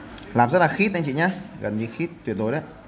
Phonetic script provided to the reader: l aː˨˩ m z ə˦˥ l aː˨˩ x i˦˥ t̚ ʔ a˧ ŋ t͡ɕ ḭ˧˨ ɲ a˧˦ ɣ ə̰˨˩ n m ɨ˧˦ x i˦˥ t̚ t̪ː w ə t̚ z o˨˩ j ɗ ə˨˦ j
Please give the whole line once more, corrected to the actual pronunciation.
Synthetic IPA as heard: l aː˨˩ m z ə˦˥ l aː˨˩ x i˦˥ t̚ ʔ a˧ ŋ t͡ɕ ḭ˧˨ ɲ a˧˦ ɣ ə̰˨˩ n ɲ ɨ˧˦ x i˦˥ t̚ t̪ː w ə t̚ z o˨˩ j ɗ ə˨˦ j

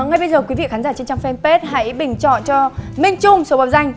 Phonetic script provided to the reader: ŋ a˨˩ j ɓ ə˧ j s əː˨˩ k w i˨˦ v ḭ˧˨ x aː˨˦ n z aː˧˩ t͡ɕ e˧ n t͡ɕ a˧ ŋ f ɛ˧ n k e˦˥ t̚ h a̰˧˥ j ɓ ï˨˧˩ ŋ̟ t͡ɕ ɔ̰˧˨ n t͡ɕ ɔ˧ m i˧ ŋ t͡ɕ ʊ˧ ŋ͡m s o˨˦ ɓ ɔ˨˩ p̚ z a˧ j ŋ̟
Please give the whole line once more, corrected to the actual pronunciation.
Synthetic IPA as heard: ŋ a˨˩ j ɓ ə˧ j z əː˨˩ k w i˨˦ v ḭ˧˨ x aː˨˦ n z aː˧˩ t͡ɕ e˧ n t͡ɕ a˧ ŋ f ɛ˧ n p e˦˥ t̚ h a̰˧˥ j ɓ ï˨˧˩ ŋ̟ t͡ɕ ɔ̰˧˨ n t͡ɕ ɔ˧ m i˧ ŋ t͡ɕ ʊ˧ ŋ͡m s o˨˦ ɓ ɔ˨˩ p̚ z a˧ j ŋ̟

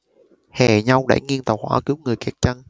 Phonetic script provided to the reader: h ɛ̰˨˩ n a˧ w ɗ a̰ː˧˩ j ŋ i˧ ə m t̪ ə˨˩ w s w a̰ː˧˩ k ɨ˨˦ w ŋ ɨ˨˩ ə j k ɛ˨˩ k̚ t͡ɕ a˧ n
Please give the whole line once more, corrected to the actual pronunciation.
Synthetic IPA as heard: h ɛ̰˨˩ ɲ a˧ w ɗ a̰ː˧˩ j ŋ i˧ ə n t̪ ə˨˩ w h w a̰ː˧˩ k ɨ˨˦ w ŋ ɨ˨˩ ə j k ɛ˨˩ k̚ t͡ɕ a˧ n

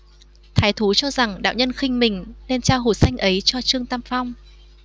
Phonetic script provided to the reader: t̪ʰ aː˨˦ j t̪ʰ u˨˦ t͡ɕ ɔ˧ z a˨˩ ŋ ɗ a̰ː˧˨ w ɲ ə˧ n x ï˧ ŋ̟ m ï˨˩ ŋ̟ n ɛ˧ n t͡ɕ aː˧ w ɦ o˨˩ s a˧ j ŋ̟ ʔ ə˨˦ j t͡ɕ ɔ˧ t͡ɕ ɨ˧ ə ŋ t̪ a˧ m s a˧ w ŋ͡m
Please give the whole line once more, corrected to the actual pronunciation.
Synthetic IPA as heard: t̪ʰ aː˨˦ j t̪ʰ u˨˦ t͡ɕ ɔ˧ z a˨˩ ŋ ɗ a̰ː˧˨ w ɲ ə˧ n x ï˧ ŋ̟ m ï˨˩ ŋ̟ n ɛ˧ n t͡ɕ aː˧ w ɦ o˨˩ s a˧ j ŋ̟ ʔ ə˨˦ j t͡ɕ ɔ˧ t͡ɕ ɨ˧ ə ŋ t̪ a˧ m f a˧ w ŋ͡m

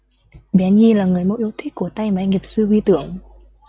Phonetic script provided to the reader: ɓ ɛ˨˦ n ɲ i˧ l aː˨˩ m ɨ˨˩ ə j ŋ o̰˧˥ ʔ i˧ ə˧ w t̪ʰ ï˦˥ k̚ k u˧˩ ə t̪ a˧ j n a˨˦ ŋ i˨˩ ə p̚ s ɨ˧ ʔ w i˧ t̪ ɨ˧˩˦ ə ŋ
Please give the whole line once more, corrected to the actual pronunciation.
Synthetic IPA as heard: ɓ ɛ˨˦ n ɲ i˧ l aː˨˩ ŋ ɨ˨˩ ə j m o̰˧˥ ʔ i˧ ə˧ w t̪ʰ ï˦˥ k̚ k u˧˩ ə t̪ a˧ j m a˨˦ ŋ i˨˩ ə p̚ s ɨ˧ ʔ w i˧ t̪ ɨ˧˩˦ ə ŋ

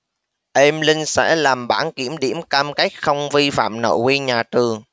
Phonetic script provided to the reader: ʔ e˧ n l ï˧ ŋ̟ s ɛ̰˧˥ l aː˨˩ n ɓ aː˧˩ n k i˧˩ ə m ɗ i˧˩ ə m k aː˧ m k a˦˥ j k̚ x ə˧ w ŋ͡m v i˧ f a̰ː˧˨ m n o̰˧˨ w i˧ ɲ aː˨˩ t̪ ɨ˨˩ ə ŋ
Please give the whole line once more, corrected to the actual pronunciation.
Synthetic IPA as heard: ʔ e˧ m l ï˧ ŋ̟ s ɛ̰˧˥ l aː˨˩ m ɓ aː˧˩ n k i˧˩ ə m ɗ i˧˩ ə m k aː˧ m k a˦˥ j k̚ x ə˧ w ŋ͡m v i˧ f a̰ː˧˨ m n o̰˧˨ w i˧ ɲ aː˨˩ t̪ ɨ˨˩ ə ŋ

